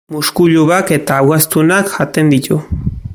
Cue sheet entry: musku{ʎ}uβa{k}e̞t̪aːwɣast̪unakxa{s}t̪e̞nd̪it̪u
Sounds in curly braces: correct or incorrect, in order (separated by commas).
correct, correct, incorrect